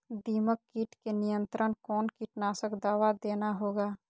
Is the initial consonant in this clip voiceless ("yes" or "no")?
no